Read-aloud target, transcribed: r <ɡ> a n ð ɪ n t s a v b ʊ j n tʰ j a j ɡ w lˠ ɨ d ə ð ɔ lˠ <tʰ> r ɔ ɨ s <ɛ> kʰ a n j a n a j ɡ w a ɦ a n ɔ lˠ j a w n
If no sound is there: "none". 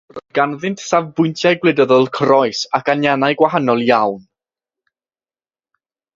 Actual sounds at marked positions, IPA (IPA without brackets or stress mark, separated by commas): ɡ, kʰ, a